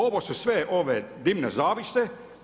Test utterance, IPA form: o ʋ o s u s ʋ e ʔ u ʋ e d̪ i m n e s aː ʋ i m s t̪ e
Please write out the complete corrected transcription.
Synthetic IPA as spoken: o ʋ o s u s ʋ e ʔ o ʋ e d̪ i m n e z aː ʋ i s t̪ e